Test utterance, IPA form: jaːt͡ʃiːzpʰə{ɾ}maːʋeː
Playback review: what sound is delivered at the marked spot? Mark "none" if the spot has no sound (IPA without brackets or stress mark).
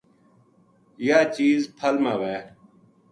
l